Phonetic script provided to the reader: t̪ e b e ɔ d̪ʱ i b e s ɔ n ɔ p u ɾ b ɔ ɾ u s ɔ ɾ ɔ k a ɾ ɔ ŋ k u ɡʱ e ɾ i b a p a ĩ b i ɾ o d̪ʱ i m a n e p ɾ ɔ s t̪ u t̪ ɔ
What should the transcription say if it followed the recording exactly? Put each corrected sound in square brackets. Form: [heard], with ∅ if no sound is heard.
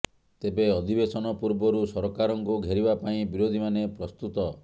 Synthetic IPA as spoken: t̪ e b e ɔ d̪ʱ i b e s ɔ n ɔ p u ɾ b ɔ ɾ u s ɔ ɾ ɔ k a ɾ ɔ ŋ k u ɡʱ e ɾ i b a p a ĩ b i ɾ o d̪ʱ i m a n e p ɾ ɔ s t̪ u t̪ ɔ